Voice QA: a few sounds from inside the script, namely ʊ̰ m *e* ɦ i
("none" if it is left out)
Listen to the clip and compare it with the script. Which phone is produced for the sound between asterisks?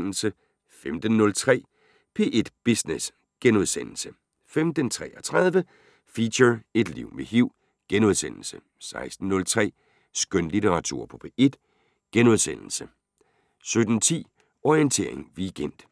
e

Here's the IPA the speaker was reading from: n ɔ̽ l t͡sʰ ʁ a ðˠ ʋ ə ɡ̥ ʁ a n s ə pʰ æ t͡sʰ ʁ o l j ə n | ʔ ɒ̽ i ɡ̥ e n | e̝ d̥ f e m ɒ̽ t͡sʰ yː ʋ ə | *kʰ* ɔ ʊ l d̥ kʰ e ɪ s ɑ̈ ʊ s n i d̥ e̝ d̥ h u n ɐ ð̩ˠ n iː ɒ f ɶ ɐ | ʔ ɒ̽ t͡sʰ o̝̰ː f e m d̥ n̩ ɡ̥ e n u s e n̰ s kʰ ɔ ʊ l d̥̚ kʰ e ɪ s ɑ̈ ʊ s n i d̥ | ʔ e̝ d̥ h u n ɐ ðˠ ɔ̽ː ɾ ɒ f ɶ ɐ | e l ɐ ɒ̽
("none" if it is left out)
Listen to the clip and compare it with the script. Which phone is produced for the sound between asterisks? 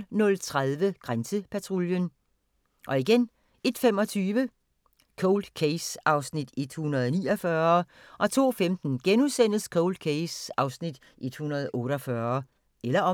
kʰ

